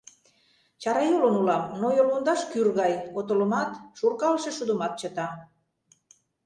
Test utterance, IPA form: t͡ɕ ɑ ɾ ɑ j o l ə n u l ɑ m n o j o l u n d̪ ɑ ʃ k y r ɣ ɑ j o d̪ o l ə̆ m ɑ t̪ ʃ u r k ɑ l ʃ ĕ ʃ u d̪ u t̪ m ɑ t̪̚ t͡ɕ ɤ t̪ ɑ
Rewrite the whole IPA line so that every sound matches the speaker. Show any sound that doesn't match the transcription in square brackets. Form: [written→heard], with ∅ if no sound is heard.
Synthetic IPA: t͡ɕ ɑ ɾ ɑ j o l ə n u l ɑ m n o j o l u n d̪ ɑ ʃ k y r ɣ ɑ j o [d̪→t̪] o l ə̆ m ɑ t̪ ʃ u r k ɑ l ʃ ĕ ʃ u d̪ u [t̪→∅] m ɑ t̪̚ t͡ɕ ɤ t̪ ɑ